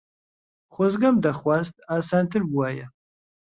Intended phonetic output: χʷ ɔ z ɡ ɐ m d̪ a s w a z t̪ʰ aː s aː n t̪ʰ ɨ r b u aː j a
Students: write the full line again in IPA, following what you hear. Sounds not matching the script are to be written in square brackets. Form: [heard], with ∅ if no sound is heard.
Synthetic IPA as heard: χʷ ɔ z ɡ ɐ m d̪ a [χ] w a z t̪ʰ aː s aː n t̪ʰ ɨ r b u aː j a